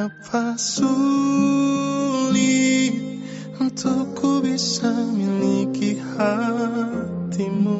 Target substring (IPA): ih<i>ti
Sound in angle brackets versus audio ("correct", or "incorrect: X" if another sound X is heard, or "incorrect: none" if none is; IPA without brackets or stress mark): incorrect: a